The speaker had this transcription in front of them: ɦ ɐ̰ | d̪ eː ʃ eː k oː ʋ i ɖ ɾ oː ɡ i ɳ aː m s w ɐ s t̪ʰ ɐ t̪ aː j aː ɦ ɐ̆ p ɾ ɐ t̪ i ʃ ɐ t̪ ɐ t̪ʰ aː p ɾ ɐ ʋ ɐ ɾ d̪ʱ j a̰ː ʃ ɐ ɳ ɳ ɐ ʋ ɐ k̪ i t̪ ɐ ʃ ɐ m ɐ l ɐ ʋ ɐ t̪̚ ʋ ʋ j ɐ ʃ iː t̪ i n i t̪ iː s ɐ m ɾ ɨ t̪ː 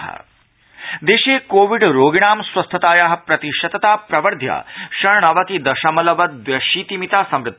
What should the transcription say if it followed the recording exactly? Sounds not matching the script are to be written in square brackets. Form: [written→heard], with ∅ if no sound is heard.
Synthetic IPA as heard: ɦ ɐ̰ | d̪ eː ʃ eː k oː ʋ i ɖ ɾ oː ɡ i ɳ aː m s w ɐ s t̪ʰ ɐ t̪ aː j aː ɦ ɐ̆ p ɾ ɐ t̪ i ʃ ɐ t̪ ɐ [t̪ʰ→t̪] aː p ɾ ɐ ʋ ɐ ɾ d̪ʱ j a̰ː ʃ ɐ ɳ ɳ ɐ ʋ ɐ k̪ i [t̪→d̪] ɐ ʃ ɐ m ɐ l ɐ ʋ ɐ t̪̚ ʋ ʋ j ɐ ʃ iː t̪ i [n→m] i t̪ [iː→aː] s ɐ m ɾ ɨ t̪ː